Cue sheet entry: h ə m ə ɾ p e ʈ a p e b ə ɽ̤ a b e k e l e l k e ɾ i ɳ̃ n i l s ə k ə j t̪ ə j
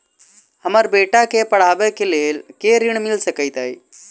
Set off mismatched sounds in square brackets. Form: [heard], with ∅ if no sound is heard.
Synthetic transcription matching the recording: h ə m ə ɾ [b] e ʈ a [k] e [p] ə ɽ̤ a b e k e l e l k e ɾ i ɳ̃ [m] i l s ə k ə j t̪ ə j